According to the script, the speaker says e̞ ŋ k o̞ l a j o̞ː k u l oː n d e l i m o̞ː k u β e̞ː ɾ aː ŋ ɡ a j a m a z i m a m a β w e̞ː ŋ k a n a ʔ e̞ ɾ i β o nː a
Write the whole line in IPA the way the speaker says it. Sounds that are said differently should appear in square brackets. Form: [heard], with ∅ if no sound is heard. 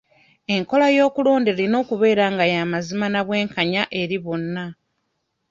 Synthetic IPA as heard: e̞ ŋ k o̞ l a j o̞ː k u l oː n d e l i [n] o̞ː k u β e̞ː ɾ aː ŋ ɡ a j a m a z i m a [n] a β w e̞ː ŋ k a [ɲ] a ʔ e̞ ɾ i β o nː a